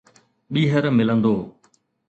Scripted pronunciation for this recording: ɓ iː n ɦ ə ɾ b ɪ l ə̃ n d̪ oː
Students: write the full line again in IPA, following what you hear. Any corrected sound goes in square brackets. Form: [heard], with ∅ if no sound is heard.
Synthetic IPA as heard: ɓ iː [∅] ɦ ə ɾ [m] ɪ l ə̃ n d̪ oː